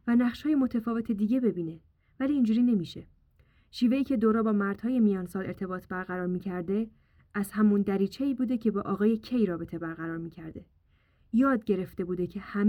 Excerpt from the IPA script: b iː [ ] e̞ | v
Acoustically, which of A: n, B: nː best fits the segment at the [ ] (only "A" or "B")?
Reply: A